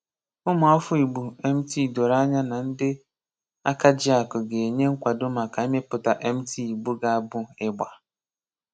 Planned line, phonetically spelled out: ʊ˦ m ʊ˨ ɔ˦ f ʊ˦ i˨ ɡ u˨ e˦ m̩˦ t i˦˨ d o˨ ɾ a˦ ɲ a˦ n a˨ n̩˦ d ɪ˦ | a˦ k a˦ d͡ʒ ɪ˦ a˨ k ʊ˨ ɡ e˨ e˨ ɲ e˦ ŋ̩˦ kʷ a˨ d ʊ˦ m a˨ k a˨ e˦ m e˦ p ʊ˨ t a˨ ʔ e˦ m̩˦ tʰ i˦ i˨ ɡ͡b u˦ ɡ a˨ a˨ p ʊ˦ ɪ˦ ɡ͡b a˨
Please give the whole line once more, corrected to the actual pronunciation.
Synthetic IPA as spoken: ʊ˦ m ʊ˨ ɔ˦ f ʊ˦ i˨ ɡ͡b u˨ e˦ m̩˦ t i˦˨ d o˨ ɾ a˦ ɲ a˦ n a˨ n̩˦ d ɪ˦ | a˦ k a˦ d͡ʒ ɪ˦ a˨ k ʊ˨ ɡ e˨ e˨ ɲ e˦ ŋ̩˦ kʷ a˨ d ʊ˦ m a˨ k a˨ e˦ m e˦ p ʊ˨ t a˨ ʔ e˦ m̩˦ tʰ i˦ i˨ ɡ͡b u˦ ɡ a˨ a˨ b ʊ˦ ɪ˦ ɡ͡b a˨